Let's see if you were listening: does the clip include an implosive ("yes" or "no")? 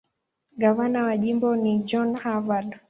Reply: yes